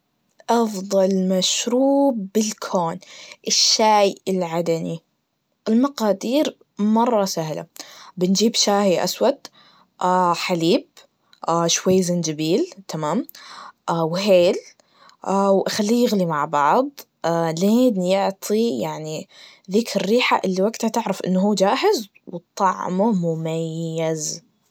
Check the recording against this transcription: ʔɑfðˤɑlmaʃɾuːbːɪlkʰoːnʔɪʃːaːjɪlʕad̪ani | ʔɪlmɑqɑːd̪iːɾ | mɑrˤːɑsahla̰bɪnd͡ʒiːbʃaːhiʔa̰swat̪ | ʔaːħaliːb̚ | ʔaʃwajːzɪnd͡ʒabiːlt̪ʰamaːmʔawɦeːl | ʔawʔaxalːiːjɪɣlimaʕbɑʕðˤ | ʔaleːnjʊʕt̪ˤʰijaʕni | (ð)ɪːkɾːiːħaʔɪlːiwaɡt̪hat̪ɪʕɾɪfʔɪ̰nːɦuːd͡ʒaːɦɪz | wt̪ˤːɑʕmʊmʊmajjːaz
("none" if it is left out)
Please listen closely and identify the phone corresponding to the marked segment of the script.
ð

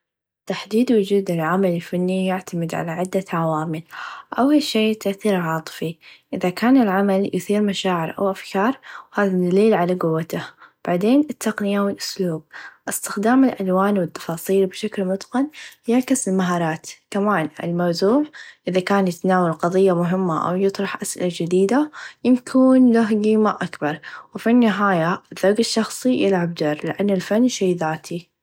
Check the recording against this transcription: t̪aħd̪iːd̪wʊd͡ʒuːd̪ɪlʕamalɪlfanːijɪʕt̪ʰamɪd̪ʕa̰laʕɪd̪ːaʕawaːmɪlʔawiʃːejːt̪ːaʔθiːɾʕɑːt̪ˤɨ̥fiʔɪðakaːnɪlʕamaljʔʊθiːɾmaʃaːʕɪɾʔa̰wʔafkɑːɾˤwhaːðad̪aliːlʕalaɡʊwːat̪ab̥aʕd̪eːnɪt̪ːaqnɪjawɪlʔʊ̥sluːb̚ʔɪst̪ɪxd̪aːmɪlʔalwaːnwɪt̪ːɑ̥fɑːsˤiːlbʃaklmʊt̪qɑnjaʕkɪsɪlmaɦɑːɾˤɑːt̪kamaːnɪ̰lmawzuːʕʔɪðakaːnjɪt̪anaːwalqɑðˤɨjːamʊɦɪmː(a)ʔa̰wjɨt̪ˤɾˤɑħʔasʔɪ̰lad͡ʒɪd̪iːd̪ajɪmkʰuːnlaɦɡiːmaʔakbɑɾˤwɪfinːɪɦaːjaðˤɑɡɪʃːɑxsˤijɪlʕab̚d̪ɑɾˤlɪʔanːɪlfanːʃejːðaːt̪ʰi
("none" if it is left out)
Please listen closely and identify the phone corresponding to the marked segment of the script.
a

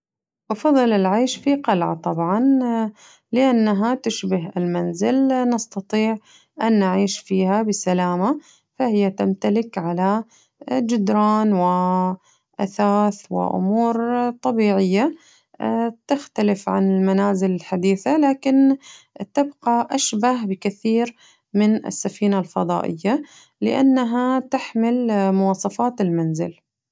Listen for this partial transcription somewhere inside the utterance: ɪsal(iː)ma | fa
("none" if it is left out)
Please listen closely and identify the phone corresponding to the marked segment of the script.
aː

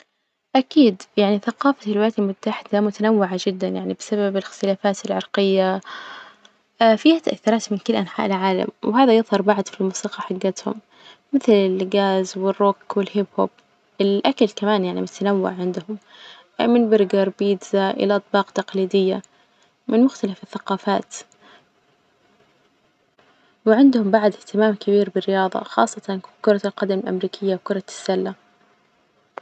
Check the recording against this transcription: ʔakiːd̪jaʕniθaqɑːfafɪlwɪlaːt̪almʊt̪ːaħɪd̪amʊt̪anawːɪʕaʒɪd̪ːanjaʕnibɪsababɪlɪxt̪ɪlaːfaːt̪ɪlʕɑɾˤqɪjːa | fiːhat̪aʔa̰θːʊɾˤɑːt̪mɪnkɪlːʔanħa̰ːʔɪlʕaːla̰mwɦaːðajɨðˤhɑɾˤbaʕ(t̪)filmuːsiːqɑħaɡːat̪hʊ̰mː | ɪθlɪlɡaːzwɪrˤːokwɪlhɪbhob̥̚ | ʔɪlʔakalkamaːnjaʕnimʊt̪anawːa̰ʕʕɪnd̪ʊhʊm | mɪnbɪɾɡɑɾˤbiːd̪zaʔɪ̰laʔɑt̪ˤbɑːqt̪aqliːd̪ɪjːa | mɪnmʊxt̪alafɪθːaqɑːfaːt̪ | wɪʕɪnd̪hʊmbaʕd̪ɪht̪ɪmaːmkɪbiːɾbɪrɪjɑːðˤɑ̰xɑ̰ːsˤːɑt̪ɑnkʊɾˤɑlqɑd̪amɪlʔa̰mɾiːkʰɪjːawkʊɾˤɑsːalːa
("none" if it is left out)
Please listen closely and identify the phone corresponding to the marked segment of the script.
d̪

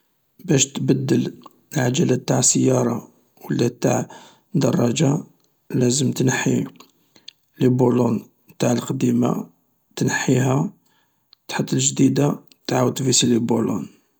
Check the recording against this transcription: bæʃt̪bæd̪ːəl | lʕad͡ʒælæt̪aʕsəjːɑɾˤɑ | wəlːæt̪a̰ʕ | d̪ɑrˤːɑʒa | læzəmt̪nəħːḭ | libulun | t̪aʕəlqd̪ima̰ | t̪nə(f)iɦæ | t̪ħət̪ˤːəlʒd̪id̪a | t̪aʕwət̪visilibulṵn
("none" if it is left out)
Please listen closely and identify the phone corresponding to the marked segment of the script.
ħ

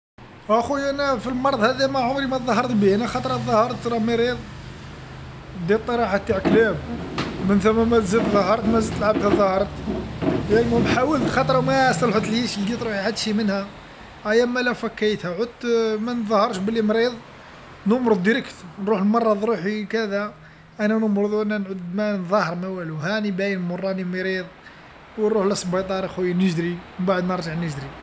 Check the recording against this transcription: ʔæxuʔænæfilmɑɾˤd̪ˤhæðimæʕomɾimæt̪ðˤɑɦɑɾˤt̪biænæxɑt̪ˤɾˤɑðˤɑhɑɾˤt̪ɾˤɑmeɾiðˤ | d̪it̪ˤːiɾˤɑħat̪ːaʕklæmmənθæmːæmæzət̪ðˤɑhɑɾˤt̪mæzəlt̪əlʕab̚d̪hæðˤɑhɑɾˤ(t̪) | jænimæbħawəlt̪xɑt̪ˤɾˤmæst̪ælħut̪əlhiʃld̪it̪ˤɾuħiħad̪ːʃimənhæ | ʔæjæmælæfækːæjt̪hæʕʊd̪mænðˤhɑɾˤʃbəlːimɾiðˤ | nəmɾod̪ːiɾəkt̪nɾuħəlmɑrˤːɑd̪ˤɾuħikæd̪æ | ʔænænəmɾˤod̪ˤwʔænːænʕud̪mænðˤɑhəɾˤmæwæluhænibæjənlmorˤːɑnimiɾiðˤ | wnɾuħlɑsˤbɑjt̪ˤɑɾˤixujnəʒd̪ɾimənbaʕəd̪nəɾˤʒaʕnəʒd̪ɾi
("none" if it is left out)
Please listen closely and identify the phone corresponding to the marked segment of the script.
t̪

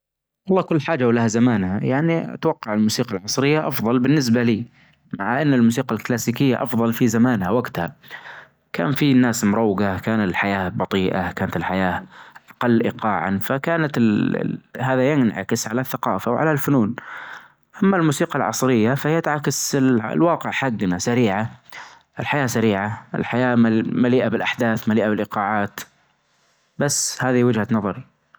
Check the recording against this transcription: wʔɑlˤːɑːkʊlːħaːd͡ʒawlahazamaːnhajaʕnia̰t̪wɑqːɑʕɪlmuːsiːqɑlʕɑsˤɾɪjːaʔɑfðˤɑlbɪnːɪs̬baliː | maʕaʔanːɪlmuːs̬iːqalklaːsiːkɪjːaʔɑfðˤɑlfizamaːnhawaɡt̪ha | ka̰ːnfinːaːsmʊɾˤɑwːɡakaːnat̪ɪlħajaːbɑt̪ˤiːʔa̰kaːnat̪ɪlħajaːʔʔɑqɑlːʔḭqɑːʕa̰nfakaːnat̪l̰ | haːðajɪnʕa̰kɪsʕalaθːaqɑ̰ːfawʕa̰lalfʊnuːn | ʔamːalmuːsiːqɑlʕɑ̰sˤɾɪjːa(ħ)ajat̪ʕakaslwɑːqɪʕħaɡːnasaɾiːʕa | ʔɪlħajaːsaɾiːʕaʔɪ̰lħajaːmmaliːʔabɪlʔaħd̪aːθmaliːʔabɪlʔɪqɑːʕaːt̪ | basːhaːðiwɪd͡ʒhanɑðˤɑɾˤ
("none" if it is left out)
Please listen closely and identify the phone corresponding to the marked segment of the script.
f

